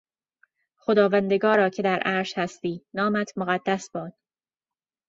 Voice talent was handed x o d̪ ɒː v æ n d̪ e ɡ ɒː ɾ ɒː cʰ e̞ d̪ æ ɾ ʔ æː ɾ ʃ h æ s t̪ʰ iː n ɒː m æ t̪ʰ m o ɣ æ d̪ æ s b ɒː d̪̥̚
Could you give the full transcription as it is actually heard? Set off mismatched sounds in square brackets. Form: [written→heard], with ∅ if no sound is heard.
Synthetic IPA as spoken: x o d̪ ɒː v æ n d̪ e ɡ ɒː ɾ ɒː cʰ e̞ d̪ æ ɾ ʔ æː ɾ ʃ h æ s [t̪ʰ→t̪] iː n ɒː m æ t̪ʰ m o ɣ æ [d̪→d̪ː] æ s b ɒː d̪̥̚